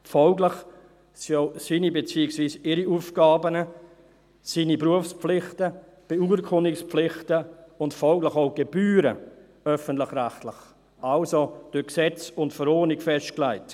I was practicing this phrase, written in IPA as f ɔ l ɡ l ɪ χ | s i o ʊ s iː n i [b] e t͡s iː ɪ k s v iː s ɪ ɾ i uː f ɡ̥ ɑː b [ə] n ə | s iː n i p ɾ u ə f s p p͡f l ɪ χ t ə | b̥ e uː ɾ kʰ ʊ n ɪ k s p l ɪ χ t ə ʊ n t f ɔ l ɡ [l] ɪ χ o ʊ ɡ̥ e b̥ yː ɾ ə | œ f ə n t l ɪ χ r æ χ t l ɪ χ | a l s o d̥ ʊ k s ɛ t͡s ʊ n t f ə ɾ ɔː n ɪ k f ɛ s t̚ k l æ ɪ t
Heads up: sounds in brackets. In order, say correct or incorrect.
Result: correct, correct, correct

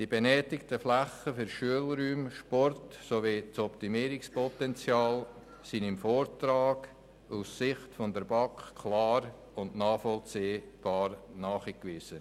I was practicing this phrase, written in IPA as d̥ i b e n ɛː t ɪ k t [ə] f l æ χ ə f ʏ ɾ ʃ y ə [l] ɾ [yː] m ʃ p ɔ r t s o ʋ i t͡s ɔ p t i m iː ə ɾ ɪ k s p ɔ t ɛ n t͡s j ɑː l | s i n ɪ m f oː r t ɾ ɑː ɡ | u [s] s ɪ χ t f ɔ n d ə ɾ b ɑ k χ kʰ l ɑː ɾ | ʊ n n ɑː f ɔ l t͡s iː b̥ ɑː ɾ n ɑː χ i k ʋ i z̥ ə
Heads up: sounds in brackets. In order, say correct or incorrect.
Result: correct, correct, correct, correct

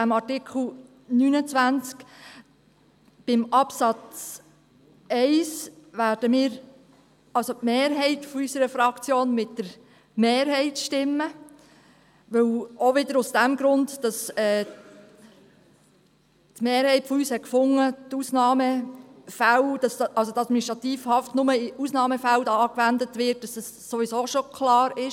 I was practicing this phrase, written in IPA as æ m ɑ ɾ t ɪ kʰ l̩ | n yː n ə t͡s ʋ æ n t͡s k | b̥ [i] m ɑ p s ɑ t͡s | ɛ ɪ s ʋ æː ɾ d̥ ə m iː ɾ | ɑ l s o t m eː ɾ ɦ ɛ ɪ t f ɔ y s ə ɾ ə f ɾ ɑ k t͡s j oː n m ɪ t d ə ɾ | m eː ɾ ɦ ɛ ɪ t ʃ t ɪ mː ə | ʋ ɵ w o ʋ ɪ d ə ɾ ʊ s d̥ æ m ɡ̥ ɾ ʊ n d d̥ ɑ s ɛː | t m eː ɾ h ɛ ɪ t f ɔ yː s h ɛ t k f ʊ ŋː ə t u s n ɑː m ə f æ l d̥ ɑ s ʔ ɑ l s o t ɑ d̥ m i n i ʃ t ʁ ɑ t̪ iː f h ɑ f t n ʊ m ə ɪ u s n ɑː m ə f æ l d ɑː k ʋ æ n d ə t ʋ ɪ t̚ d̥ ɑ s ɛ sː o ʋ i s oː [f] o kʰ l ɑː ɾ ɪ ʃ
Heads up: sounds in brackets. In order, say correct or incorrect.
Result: incorrect: ɪ, incorrect: ʃ

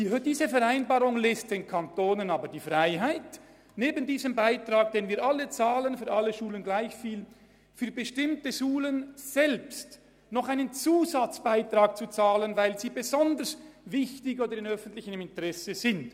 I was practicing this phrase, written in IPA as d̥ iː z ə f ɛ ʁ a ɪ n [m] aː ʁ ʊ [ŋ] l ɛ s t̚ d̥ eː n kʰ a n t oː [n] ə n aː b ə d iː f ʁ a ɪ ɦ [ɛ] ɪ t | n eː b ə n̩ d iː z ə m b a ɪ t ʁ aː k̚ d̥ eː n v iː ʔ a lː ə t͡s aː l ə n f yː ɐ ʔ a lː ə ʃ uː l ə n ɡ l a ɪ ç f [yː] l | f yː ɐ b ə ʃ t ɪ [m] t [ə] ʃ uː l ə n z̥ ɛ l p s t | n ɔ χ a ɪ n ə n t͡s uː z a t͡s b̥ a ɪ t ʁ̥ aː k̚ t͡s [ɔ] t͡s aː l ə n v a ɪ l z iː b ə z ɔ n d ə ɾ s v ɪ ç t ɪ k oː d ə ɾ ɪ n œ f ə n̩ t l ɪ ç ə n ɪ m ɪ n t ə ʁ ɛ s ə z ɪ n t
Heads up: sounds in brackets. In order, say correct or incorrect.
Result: incorrect: b, correct, correct, incorrect: a, incorrect: iː, correct, correct, incorrect: u

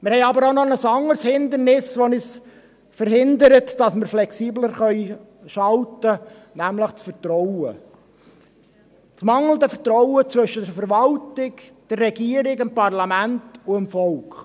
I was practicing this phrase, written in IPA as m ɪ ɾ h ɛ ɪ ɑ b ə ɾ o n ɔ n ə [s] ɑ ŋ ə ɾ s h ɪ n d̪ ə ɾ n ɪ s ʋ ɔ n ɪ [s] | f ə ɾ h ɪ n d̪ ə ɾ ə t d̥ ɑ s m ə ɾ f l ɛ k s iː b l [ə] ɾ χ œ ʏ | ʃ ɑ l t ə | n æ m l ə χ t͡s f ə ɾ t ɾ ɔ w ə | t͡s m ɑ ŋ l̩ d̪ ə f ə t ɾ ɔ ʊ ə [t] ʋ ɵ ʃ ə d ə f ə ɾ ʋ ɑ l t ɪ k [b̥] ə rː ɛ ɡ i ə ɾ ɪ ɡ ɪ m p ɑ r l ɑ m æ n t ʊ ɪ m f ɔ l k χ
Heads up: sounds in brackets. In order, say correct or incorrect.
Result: correct, correct, correct, incorrect: t͡s, incorrect: d̥

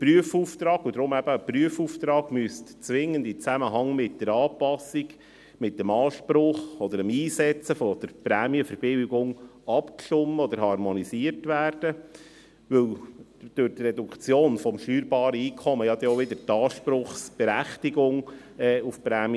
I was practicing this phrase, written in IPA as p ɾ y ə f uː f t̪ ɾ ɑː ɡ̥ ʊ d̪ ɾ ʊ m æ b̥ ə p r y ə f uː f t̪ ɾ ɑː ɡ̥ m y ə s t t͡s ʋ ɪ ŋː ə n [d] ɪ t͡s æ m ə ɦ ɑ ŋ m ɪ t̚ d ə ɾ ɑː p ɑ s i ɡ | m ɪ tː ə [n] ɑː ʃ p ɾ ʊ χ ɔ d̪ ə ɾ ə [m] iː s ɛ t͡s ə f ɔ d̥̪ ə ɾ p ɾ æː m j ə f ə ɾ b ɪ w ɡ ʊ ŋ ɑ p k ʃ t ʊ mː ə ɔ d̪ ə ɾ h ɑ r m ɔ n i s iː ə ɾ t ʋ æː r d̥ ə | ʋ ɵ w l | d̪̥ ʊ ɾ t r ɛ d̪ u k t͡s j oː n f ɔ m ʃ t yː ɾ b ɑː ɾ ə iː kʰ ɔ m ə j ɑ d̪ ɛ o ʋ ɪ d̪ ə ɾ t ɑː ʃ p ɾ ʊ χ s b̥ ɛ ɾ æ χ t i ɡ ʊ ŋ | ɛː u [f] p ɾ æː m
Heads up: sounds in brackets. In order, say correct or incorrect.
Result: correct, incorrect: m, correct, correct

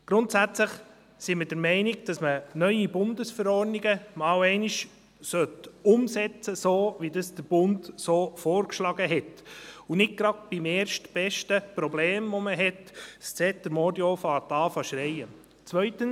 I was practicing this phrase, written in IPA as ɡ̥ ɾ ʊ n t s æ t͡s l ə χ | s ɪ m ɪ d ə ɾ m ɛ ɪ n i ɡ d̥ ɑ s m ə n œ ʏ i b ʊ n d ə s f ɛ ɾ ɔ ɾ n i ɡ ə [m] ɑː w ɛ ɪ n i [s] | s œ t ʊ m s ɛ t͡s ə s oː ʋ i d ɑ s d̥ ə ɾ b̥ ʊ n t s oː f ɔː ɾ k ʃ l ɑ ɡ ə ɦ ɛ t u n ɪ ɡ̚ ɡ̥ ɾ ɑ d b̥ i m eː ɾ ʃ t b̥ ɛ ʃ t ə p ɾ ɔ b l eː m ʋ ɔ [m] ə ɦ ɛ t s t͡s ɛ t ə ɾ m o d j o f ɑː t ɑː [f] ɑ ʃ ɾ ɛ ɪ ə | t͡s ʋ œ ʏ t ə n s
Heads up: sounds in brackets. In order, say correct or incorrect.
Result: correct, incorrect: ʃ, correct, correct

